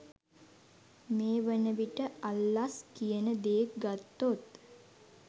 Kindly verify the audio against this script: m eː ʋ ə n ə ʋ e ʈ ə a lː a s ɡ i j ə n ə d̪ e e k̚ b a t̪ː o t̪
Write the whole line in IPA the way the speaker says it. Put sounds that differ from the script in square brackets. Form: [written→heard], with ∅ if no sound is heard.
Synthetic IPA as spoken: m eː ʋ ə n ə ʋ [e→i] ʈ ə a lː a s [ɡ→k] i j ə n ə d̪ e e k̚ [b→ɡ] a t̪ː o t̪